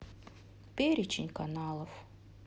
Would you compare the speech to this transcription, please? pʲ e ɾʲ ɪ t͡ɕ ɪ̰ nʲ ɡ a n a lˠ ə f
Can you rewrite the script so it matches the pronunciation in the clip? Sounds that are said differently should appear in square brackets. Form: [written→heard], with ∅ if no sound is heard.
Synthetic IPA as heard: pʲ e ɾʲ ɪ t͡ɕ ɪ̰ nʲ [ɡ→k] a n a lˠ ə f